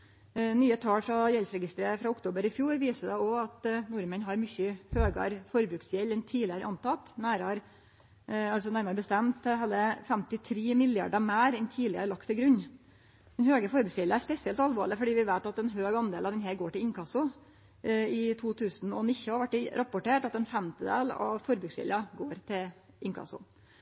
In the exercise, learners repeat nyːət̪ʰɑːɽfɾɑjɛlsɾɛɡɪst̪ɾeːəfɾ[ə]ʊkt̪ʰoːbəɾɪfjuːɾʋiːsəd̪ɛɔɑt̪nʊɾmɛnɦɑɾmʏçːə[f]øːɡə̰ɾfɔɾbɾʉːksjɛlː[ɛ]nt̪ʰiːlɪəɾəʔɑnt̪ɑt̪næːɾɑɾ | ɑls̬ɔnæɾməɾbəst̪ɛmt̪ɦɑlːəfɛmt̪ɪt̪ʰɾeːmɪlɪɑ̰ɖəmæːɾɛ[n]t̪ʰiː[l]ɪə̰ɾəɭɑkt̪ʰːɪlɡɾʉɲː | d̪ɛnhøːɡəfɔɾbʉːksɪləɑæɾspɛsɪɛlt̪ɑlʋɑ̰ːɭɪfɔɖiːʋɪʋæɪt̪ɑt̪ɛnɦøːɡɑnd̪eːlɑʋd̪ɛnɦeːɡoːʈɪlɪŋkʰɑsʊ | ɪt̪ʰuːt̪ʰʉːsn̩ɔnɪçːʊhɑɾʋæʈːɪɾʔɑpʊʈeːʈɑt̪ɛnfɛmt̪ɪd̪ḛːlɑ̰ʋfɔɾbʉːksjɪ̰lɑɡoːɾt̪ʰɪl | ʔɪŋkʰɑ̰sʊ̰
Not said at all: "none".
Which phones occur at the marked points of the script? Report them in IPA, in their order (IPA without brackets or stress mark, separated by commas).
ɑ, h, ɛ, n, l